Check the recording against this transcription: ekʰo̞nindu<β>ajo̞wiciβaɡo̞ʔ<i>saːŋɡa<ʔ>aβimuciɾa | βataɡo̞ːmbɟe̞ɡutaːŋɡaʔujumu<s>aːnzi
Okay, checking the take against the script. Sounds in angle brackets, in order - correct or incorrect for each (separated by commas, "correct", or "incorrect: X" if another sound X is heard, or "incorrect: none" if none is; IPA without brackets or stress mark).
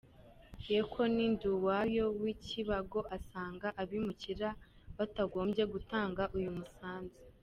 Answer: incorrect: w, incorrect: a, correct, correct